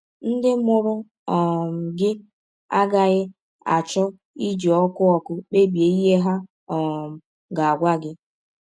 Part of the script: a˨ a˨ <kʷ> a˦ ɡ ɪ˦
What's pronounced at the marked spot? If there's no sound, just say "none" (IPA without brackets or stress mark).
ɡʷ